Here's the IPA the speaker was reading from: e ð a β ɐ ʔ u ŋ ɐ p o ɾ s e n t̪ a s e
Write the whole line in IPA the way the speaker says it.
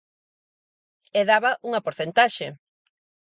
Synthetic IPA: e ð a β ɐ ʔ u ŋ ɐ p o ɾ θ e n t̪ a ʃ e